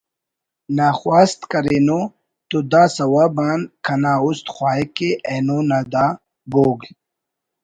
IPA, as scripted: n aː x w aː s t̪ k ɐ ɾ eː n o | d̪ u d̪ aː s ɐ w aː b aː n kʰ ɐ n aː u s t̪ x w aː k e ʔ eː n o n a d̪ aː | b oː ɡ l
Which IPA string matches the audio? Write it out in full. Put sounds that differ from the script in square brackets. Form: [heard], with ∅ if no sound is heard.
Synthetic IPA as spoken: n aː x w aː s t̪ k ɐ ɾ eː n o | [t̪] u d̪ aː s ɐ w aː b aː n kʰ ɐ n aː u s t̪ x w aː k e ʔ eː n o n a d̪ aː | b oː ɡ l